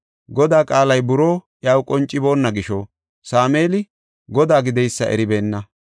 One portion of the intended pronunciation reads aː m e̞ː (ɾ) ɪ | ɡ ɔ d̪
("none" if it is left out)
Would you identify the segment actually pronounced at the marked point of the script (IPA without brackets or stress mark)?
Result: l